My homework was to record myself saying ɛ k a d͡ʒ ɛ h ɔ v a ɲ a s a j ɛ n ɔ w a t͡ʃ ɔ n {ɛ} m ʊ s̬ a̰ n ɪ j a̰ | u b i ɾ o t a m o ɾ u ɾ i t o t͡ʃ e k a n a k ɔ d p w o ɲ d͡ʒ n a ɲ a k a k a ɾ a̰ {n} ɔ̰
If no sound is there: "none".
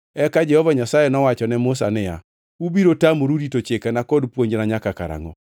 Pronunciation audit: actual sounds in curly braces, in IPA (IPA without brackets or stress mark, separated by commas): ɛ, ŋ